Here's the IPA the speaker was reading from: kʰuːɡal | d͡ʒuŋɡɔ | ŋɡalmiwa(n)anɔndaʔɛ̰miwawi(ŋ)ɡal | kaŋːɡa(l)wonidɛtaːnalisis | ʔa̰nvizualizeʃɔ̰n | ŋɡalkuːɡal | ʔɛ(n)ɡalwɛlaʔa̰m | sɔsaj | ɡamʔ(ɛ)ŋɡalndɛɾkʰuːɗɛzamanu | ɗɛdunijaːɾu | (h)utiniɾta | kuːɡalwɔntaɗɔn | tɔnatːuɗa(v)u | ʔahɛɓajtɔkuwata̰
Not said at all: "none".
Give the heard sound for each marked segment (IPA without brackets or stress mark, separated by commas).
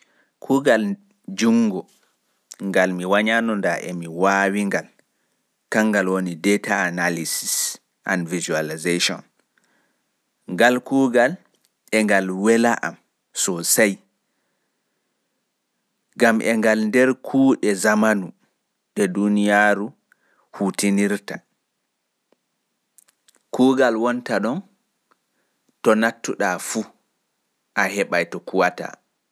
ɲ, ŋ, l, ŋ, ɛ, h, f